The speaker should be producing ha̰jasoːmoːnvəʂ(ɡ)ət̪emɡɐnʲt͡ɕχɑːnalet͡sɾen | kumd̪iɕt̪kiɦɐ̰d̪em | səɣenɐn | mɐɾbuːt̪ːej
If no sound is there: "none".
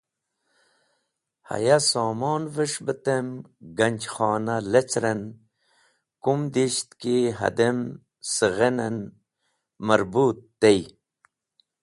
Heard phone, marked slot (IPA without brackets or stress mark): b